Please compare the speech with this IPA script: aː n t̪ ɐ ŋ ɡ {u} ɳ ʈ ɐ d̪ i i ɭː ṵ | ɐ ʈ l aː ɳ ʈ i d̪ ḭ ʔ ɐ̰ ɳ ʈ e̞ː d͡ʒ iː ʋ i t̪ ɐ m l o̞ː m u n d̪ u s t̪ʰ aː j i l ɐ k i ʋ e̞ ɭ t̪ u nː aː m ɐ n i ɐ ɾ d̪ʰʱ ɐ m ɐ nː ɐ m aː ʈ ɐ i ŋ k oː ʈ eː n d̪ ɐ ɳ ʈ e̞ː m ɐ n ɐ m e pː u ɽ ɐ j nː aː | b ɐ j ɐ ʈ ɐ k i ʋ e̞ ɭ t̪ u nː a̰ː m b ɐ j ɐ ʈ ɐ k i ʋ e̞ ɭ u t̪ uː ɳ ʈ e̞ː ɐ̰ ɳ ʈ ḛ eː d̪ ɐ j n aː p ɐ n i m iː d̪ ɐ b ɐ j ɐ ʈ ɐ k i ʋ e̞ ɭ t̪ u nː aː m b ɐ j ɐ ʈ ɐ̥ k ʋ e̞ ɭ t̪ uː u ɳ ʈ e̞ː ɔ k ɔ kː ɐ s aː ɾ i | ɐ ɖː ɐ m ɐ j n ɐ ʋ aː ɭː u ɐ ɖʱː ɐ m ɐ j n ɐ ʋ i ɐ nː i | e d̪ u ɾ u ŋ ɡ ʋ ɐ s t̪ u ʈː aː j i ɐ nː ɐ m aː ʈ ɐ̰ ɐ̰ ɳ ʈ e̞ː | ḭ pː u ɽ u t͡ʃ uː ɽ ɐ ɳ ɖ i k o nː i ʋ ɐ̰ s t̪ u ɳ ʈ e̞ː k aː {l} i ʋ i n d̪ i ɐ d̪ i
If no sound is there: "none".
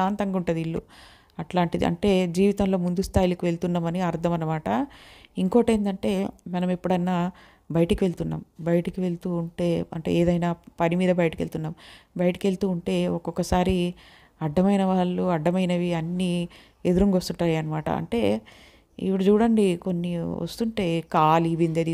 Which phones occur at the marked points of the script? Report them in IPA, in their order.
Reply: u, l

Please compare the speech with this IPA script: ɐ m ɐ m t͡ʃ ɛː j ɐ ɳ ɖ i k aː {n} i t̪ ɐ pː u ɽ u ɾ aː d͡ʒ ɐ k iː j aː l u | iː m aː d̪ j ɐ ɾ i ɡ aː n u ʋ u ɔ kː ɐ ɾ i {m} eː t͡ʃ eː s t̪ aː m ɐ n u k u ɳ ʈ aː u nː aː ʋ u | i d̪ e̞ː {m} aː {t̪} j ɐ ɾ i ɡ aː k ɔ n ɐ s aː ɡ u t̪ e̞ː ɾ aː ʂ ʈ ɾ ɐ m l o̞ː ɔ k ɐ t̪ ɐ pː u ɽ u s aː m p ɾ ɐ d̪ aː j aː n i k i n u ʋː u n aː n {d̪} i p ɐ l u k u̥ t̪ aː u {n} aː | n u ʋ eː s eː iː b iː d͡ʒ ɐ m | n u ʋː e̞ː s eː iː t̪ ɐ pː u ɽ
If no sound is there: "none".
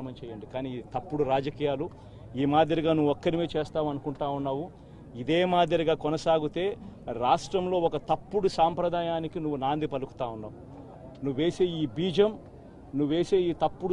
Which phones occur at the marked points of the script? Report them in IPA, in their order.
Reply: n, m, m, d̪, d̪, nː

